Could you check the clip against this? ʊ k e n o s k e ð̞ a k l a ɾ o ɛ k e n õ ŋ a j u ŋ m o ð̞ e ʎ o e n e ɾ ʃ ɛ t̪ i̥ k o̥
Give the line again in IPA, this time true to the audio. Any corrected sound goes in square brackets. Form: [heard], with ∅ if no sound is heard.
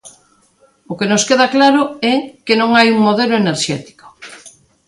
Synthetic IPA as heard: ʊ k e n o s k e ð̞ a k l a ɾ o ɛ k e n õ ŋ a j u ŋ m o ð̞ e [l] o e n e ɾ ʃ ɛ t̪ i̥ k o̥